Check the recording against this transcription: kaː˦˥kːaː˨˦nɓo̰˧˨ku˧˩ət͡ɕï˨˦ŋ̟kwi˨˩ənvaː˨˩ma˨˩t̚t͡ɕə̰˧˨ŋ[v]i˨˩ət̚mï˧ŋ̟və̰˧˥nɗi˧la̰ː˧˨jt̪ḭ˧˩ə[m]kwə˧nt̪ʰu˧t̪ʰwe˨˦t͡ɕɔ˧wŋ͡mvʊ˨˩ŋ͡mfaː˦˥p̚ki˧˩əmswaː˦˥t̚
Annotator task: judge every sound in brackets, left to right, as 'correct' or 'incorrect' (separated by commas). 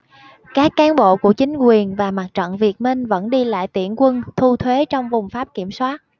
correct, incorrect